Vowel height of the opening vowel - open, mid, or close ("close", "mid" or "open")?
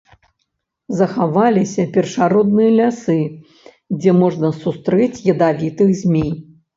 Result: open